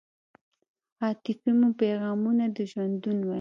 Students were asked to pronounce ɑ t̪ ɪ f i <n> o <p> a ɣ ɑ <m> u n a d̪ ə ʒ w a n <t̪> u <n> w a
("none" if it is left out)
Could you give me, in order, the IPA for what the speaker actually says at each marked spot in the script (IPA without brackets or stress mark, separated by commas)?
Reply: m, p, m, d̪, n